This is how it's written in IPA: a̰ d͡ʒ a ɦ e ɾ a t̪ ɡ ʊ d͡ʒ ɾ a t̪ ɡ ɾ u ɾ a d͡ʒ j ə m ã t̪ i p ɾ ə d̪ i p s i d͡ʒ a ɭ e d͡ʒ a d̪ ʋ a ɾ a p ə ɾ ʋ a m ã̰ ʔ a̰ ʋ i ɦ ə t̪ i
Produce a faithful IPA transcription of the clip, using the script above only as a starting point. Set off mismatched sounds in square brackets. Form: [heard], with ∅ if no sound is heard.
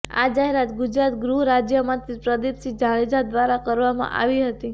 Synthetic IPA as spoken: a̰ d͡ʒ a ɦ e ɾ a t̪ ɡ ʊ d͡ʒ ɾ a t̪ ɡ ɾ u ɾ a d͡ʒ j ə m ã t̪ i p ɾ ə d̪ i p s i d͡ʒ a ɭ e d͡ʒ a d̪ ʋ a ɾ a [k] ə ɾ ʋ a m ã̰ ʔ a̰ ʋ i ɦ ə t̪ i